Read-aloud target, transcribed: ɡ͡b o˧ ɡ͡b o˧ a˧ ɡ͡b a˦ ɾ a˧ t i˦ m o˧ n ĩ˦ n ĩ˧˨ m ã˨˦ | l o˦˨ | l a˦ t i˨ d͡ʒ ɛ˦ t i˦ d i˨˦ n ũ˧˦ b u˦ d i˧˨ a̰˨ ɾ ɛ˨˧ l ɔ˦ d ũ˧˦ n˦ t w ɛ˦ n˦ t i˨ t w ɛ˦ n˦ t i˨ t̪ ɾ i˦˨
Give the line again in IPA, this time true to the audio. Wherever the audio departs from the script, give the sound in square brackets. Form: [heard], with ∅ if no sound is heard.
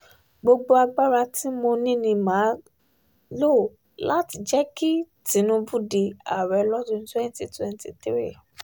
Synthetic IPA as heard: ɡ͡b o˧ ɡ͡b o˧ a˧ ɡ͡b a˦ ɾ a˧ t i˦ m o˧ n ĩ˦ n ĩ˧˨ m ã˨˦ | l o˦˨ | l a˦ t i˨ d͡ʒ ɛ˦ [k] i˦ [t] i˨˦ n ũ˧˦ b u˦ d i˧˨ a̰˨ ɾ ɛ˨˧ l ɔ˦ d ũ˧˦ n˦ t w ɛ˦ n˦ t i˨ t w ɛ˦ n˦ t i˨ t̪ ɾ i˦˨